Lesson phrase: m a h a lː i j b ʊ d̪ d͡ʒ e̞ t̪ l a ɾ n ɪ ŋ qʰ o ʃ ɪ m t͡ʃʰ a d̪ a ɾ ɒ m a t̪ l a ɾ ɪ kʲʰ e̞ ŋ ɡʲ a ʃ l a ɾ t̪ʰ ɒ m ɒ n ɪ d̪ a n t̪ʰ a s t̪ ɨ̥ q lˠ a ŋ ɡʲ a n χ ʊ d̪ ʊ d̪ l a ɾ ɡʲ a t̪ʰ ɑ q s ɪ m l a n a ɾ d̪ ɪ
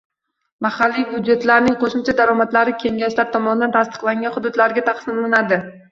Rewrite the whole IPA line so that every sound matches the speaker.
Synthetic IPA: m a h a lː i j b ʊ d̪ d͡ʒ e̞ t̪ l a ɾ n ɪ ŋ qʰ o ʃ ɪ m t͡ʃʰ a d̪ a ɾ ɒ m a t̪ l a ɾ ɪ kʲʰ e̞ ŋ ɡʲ a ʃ l a ɾ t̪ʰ ɒ m ɒ n ɪ d̪ a n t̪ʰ a s t̪ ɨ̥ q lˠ a ŋ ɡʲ a n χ ʊ d̪ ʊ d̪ l a ɾ ɡʲ a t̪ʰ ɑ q s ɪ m l a n a d̪ ɪ